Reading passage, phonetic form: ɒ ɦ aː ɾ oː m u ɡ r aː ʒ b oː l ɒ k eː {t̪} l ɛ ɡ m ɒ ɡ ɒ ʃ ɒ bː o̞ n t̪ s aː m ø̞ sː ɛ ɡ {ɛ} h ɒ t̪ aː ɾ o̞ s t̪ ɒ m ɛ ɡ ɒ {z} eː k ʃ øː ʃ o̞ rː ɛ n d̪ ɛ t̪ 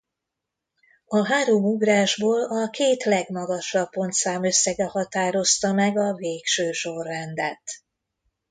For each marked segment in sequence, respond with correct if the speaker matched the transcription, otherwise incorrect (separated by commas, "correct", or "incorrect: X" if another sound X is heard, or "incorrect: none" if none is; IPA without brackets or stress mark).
correct, correct, incorrect: v